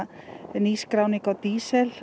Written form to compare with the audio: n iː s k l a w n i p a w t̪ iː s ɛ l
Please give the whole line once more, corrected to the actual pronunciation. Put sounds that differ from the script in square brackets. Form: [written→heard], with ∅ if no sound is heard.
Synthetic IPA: n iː s k [l→ɾ] a w n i [p→k] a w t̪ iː s ɛ l